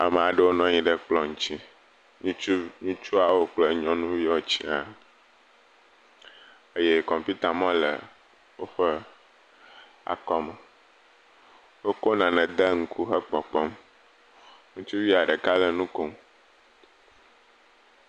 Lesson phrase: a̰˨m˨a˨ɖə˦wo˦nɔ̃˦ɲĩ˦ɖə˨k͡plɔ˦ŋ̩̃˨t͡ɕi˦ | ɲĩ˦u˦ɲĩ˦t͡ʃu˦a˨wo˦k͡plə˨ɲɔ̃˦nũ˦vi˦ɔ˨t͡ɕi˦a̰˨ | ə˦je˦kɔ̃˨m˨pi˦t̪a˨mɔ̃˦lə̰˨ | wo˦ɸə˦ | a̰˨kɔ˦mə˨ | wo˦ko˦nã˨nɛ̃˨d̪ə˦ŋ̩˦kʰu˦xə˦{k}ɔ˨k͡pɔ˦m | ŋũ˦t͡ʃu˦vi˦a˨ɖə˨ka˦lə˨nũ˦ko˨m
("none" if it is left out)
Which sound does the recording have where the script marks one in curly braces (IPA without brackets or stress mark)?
k͡p